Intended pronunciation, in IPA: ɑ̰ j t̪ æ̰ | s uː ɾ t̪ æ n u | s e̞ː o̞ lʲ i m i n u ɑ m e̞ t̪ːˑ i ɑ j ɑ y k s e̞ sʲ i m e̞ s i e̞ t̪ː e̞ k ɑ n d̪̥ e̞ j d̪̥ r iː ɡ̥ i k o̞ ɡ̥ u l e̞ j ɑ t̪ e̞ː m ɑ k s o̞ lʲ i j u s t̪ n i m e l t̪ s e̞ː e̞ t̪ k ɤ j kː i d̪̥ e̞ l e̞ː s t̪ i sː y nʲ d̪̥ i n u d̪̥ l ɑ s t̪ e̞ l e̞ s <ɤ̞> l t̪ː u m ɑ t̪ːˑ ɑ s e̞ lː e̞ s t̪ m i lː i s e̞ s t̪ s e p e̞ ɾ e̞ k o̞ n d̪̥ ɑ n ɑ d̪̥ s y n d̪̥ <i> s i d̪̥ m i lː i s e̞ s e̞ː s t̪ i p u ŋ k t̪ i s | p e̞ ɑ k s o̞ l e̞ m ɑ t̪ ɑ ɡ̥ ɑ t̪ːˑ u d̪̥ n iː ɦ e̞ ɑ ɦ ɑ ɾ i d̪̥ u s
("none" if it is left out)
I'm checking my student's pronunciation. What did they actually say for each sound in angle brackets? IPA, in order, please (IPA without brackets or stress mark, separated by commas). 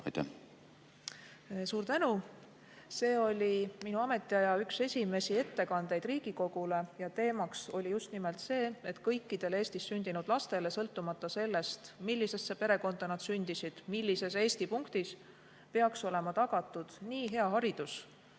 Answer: ɤ̞, i